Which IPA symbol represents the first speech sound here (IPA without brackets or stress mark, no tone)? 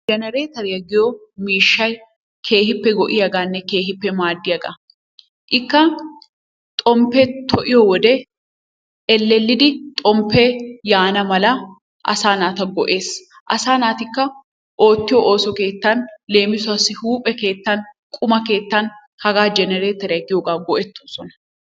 d͡ʒ